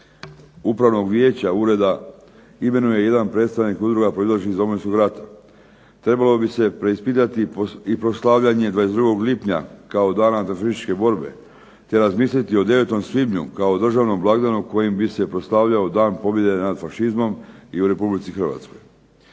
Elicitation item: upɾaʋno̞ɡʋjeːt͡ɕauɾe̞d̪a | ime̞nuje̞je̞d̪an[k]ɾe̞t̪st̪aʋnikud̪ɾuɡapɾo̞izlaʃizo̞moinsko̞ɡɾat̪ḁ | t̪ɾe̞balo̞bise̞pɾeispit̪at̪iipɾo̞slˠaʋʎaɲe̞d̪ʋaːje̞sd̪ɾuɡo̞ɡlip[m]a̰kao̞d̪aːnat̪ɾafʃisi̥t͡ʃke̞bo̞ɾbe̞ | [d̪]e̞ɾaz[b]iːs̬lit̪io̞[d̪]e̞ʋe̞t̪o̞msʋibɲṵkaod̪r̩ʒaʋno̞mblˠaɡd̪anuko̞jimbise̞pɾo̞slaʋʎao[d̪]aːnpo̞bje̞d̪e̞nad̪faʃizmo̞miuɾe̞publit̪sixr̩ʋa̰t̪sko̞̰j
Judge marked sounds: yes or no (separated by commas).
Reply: no, no, no, no, yes, yes